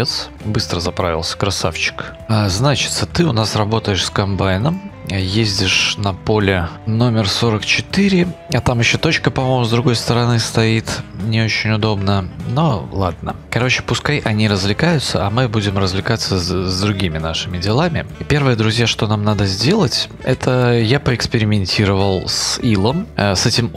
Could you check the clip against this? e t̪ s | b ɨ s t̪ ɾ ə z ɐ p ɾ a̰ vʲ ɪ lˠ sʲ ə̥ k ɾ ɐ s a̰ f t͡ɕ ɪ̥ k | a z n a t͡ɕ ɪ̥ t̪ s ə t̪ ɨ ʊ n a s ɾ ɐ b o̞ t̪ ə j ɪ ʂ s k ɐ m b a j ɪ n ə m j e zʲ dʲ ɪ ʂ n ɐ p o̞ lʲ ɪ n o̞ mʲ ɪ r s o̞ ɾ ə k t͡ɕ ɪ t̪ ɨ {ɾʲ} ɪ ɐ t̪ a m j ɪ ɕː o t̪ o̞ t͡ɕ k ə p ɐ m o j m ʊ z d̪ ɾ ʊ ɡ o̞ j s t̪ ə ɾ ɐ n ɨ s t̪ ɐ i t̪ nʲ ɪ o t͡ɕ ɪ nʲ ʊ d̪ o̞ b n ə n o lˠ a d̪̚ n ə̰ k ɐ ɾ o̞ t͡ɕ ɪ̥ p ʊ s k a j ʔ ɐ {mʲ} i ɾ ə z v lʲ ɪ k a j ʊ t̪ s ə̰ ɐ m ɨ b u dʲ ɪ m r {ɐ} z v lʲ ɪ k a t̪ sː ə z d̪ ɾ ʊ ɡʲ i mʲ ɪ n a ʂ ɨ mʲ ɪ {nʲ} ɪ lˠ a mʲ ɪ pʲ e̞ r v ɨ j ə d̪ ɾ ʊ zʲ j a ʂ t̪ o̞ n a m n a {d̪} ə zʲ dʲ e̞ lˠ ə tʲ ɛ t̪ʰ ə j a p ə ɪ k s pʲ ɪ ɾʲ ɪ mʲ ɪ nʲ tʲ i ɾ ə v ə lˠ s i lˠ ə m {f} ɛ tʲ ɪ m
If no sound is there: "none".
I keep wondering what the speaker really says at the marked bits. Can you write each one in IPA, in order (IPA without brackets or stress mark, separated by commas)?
ɾʲ, nʲ, ə, dʲ, d̪, s